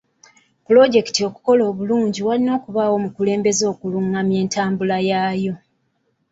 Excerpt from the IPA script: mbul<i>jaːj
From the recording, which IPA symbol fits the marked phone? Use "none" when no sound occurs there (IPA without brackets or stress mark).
a